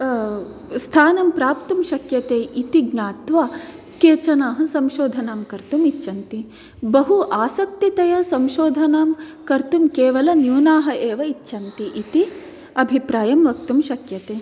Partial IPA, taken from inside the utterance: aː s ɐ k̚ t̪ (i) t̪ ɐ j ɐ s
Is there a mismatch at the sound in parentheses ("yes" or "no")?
no